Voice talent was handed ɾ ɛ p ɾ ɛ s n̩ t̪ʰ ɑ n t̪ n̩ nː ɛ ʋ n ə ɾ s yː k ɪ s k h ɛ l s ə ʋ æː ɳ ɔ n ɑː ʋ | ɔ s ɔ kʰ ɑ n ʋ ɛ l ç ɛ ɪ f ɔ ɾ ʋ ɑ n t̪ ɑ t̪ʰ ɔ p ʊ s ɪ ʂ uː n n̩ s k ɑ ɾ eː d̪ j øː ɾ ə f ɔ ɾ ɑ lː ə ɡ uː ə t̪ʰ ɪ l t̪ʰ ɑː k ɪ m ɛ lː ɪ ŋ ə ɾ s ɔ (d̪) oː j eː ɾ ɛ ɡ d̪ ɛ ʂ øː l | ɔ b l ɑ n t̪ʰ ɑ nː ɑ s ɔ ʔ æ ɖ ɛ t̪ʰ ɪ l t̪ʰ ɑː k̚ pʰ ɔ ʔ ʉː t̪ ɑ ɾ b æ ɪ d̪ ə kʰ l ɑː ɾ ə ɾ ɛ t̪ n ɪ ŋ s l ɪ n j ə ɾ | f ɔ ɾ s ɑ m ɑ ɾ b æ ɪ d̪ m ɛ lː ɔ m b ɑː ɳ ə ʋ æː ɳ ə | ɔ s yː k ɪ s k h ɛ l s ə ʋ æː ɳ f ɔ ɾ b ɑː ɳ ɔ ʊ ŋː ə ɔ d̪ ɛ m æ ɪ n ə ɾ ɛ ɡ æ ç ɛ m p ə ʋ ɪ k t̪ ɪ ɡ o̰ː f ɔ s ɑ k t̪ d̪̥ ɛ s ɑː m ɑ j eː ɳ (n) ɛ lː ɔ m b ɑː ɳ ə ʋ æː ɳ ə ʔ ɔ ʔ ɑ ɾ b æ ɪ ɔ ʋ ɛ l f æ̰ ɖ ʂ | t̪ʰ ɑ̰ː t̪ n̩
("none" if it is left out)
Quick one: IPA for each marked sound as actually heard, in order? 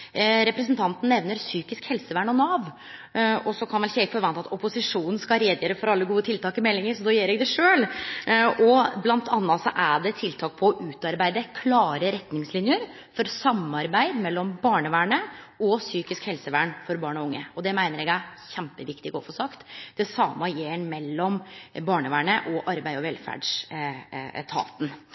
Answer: d̪, m

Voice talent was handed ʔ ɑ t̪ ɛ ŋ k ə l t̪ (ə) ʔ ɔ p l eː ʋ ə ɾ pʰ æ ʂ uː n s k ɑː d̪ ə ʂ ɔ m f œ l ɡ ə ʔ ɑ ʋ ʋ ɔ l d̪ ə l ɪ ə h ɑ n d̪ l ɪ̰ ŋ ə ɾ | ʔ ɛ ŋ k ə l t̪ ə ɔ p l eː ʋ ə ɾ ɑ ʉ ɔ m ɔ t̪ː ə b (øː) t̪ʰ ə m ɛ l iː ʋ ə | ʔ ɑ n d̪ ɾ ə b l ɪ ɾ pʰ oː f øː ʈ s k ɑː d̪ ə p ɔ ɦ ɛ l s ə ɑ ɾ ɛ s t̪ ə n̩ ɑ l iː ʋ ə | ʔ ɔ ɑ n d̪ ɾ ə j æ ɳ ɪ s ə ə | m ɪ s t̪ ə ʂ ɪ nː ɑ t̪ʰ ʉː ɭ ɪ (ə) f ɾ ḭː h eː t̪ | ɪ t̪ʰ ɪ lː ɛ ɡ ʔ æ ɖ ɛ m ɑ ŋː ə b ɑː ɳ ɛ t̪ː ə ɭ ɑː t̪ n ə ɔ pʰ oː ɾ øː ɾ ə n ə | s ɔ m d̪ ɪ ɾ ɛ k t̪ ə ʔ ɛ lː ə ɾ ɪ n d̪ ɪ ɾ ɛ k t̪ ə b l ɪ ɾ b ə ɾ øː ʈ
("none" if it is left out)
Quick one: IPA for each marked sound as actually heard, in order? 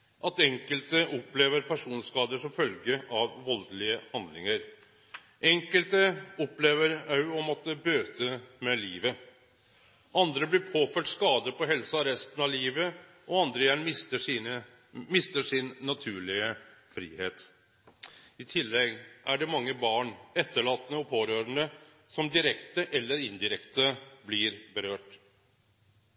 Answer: ə, øː, ə

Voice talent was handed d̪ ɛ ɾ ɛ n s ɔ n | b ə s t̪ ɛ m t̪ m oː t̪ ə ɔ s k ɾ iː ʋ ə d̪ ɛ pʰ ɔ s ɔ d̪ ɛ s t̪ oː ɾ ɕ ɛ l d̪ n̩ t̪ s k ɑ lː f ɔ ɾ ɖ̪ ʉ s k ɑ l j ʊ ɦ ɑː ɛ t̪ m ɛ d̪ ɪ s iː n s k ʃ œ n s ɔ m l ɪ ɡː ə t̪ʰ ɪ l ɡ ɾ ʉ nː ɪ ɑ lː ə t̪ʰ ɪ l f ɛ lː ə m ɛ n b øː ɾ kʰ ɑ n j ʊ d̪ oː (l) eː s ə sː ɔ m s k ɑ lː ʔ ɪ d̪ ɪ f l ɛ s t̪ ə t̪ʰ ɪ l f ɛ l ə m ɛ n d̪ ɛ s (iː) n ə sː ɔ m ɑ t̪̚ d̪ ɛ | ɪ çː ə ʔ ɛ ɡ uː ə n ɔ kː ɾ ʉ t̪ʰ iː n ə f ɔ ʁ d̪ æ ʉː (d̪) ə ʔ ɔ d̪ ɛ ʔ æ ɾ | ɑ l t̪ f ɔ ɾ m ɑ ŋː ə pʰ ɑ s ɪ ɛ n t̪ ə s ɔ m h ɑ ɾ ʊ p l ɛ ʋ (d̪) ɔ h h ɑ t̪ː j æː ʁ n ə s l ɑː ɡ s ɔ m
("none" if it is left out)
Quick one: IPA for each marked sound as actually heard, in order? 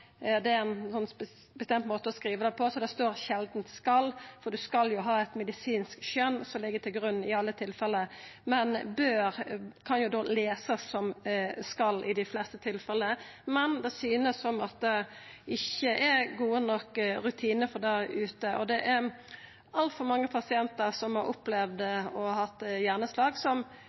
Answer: l, yː, t̪, d̪

